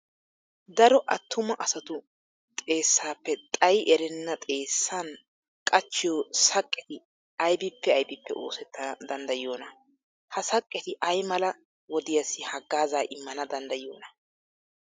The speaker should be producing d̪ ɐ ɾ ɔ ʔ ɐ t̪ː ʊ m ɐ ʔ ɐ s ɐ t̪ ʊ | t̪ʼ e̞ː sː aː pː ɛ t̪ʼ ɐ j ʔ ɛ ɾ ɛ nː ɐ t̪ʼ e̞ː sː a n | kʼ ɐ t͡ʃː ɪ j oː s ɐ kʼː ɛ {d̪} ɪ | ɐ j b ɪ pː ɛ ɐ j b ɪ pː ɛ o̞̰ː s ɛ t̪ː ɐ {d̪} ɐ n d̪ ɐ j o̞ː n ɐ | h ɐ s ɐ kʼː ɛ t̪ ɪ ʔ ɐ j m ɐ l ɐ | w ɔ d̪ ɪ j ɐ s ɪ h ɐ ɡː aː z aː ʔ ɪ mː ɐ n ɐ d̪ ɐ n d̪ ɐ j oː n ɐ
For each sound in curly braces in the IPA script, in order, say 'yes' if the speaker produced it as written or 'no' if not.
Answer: no, yes

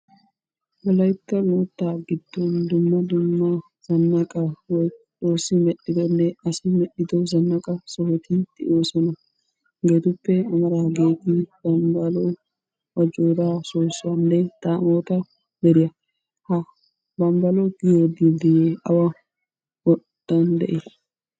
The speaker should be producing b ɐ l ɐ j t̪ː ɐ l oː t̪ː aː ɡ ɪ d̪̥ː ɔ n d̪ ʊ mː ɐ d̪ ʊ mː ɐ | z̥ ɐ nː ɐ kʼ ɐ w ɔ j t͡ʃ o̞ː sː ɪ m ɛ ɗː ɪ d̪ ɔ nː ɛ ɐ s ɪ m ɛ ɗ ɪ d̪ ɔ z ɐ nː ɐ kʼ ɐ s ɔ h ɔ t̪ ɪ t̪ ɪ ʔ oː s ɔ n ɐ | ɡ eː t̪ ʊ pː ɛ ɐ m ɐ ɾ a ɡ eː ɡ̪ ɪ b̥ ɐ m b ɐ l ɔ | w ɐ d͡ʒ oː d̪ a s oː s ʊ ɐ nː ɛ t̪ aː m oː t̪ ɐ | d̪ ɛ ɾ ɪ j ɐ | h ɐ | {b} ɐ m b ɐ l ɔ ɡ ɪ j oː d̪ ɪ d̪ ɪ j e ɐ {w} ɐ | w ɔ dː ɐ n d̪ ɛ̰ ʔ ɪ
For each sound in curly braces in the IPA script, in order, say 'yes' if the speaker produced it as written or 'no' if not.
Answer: yes, yes

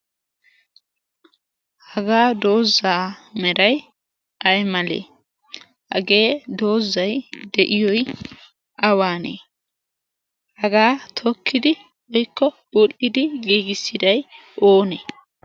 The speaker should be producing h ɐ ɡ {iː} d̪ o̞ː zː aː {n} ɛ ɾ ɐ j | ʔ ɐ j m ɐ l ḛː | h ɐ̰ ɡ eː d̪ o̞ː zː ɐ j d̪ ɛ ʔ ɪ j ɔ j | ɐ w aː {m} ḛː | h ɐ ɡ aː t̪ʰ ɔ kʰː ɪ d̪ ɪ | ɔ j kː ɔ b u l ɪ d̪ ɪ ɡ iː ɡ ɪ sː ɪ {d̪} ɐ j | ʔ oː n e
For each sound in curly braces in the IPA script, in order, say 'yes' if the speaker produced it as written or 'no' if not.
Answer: no, no, no, yes

